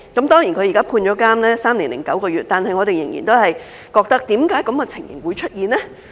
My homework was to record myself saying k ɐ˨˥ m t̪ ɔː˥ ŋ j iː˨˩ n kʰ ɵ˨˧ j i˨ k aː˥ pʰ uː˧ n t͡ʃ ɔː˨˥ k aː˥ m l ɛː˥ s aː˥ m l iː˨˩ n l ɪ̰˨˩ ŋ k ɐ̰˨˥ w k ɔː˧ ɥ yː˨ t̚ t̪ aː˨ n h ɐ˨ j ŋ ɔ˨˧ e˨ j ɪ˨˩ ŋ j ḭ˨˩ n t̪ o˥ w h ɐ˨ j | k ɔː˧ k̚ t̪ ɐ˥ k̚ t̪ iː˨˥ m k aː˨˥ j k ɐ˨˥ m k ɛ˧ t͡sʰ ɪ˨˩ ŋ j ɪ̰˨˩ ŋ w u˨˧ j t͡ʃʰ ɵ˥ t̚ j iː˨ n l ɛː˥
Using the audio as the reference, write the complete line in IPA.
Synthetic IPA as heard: k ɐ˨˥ m t̪ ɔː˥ ŋ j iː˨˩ n kʰ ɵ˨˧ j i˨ k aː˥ pʰ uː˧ n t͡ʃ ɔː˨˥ k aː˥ m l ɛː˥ s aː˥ m l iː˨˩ n l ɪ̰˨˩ ŋ k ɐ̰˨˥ w k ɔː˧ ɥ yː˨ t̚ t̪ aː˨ n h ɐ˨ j ŋ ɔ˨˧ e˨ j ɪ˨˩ ŋ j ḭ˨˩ n t̪ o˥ w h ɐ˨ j | k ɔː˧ k̚ t̪ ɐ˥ k̚ t̪ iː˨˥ m k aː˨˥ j k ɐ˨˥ m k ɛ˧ t͡sʰ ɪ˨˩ ŋ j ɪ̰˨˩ ŋ w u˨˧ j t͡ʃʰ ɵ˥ t̚ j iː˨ n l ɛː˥

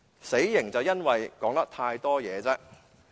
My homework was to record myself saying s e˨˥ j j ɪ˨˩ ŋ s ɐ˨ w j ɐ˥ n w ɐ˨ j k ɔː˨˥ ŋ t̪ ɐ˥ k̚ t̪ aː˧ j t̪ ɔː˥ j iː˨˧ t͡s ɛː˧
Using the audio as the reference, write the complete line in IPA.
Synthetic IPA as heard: s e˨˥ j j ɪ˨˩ ŋ t͡s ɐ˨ w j ɐ˥ n w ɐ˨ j k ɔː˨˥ ŋ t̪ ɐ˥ k̚ t̪ʰ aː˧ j t̪ ɔː˥ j ɛː˨˧ t͡s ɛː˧

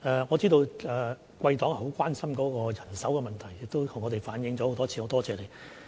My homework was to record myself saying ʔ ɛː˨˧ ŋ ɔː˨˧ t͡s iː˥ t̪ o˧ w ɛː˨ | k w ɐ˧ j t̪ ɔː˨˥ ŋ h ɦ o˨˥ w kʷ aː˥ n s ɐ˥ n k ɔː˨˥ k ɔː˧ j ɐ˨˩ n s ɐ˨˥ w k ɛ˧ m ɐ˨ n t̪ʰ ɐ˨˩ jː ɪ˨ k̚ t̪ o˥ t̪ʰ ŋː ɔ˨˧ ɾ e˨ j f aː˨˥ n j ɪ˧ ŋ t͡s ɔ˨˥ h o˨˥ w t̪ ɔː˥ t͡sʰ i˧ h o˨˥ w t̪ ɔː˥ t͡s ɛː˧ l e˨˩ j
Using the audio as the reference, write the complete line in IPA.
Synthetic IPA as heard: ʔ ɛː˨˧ ŋ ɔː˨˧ t͡s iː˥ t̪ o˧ w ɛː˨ | k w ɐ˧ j t̪ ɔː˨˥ ŋ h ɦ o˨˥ w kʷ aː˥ n s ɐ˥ m k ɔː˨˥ k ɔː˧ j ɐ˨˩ n s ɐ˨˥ w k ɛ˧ m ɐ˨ n t̪ʰ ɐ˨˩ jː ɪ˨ k̚ t̪ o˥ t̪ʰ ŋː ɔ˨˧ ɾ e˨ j f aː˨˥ n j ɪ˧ ŋ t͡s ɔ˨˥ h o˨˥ w t̪ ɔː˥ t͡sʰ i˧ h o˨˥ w t̪ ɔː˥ t͡s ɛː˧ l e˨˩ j

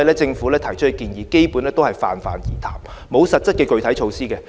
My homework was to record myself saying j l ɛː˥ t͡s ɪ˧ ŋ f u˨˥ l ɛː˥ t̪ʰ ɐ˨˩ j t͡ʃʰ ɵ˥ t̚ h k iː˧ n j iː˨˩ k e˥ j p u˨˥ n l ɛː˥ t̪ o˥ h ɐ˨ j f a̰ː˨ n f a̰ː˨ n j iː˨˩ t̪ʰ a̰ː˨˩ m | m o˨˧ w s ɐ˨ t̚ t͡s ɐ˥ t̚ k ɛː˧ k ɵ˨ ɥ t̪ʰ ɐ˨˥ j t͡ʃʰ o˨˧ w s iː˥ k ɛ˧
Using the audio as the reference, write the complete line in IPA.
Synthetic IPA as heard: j l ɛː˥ t͡s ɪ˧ ŋ f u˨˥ l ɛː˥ t̪ʰ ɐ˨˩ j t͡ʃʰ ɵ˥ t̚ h k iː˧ n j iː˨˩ k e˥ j p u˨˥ n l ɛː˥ t̪ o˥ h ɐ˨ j f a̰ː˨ n f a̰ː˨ n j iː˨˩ t̪ʰ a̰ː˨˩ m | m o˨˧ w s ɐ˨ t̚ t͡s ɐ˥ t̚ k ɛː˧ k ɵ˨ ɥ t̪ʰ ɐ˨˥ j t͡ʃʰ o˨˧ w s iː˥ k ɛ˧

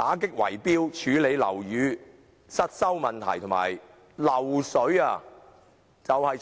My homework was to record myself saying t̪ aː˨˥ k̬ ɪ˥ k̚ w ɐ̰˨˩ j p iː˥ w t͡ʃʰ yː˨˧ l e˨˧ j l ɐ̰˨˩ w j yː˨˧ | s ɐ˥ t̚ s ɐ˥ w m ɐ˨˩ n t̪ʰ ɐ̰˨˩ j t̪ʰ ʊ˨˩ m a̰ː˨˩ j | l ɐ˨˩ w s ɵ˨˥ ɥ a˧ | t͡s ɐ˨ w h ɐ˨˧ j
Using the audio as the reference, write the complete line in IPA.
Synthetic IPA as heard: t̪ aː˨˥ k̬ ɪ˥ k̚ w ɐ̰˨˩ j p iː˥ w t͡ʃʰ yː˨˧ l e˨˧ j l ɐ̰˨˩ w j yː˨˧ | s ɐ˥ t̚ s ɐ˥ w m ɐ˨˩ n t̪ʰ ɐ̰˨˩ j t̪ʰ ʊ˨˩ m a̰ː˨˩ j | l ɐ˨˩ w s ɵ˨˥ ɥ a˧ | t͡s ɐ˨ w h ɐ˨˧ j

